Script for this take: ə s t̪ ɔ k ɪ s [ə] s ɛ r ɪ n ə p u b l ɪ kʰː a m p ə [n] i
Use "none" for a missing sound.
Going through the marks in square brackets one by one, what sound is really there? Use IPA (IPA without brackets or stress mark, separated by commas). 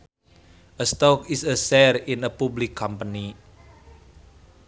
ə, n